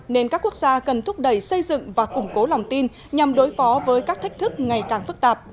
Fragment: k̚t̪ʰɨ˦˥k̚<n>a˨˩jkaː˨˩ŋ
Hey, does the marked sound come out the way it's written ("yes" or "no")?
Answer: no